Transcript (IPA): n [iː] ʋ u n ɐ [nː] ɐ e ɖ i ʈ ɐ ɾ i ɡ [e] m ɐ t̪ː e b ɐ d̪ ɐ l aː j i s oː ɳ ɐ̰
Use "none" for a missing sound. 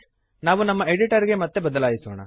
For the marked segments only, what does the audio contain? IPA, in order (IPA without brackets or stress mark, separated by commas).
aː, mː, e